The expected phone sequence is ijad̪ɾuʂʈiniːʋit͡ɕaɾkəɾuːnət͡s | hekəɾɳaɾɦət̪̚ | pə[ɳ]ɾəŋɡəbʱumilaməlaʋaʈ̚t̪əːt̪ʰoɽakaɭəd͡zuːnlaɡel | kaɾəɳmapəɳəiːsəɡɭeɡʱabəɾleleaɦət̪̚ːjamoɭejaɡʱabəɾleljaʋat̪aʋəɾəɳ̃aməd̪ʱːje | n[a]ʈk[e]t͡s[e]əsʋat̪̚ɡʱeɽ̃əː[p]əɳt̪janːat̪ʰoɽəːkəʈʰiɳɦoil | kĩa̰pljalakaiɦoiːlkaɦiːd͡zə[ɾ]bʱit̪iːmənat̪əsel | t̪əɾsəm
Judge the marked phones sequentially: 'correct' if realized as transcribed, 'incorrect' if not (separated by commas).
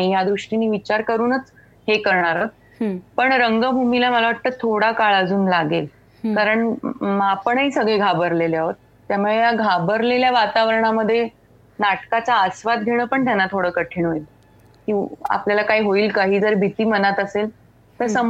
correct, correct, incorrect, incorrect, correct, correct